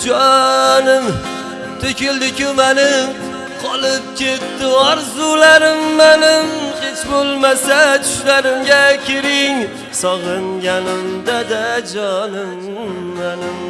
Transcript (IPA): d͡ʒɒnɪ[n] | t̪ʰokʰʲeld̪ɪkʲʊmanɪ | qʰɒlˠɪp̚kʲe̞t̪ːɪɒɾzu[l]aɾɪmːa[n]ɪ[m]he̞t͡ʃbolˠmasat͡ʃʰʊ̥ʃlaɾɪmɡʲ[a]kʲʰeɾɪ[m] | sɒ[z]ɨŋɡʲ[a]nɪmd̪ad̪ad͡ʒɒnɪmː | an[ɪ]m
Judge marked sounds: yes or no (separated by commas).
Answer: no, yes, yes, yes, yes, no, no, yes, yes